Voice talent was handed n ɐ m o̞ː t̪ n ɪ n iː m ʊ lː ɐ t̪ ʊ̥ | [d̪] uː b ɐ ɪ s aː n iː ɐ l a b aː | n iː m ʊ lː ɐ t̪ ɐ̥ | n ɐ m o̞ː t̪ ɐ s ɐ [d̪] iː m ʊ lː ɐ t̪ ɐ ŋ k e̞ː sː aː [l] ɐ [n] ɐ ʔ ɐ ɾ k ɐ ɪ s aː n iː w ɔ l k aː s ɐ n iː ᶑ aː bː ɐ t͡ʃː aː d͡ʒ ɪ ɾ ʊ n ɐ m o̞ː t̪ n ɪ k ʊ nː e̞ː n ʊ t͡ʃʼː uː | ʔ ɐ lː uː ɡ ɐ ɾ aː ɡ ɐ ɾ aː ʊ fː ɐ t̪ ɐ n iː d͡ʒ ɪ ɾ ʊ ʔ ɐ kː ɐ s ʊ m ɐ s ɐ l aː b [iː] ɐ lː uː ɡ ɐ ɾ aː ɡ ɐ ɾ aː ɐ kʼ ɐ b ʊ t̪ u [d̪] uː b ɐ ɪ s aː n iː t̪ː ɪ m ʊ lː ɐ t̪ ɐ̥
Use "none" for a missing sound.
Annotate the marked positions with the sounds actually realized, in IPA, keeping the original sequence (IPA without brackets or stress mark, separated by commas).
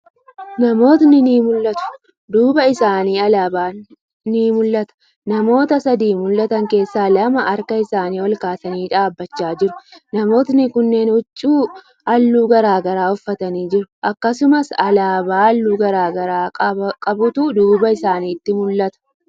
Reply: d̪, d̪, l, m, aː, d̪